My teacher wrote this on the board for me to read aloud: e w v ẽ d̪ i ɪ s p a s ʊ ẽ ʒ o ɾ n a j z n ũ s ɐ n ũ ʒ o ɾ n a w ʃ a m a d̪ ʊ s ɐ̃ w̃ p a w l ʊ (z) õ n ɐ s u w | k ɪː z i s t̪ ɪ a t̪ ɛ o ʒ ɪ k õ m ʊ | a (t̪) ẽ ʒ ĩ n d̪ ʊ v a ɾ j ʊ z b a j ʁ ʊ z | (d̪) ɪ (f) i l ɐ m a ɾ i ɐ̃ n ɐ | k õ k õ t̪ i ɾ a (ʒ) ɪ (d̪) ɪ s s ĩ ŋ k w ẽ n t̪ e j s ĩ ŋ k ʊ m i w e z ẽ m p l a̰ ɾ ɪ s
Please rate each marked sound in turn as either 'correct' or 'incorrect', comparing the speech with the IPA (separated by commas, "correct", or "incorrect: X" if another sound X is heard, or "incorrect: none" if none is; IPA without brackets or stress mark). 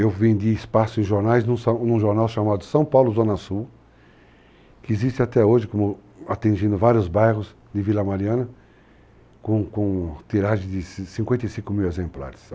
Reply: correct, correct, correct, incorrect: v, correct, correct